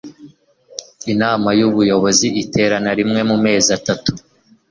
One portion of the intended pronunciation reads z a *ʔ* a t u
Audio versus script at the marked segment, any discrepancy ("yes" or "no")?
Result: yes